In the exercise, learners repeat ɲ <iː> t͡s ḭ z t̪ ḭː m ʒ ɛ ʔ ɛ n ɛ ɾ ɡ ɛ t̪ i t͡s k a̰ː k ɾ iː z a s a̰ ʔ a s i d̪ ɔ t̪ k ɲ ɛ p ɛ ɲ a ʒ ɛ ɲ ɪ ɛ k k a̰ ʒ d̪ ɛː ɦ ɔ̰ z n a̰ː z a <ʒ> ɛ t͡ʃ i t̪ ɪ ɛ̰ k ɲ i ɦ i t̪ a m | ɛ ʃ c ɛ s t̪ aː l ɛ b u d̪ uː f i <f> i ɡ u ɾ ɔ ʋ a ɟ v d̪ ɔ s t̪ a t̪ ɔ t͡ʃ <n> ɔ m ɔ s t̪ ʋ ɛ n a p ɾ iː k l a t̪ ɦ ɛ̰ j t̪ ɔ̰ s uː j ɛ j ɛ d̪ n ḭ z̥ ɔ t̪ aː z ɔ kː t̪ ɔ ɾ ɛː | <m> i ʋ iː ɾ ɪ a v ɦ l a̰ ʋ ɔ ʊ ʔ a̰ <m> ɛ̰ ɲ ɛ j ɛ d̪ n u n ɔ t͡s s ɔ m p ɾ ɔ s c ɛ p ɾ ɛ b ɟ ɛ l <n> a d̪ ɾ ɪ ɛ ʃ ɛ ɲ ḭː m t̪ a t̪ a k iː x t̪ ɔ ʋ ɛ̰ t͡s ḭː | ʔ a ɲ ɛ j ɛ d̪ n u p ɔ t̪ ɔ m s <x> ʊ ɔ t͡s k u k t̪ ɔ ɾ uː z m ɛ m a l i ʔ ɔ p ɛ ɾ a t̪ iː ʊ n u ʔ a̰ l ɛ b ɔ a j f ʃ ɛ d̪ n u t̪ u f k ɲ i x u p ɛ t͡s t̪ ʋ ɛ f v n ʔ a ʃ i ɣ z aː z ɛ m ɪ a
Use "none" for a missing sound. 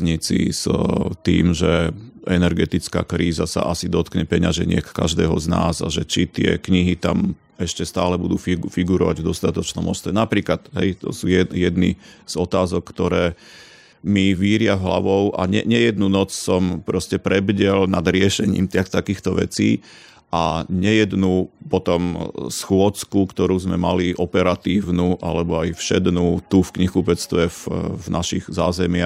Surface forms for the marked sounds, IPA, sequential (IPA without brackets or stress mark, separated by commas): i, ʒ, f, n, m, ɲ, n, x